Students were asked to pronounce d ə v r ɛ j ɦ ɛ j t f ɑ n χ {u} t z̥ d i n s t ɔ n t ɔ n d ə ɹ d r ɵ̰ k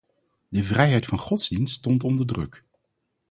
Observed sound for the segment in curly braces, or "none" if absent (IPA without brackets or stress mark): ɔ